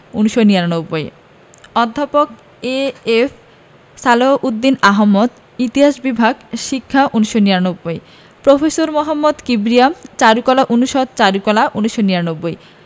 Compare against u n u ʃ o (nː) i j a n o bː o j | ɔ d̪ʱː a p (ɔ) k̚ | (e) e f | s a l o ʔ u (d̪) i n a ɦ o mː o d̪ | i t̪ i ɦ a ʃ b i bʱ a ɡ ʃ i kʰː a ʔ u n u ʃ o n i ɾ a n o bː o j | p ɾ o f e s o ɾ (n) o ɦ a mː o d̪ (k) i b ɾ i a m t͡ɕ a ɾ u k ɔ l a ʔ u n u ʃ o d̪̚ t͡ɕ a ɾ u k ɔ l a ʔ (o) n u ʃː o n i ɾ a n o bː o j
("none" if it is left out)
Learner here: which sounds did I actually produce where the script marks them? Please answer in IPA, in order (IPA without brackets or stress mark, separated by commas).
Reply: n, o, e, d̪ː, m, k, u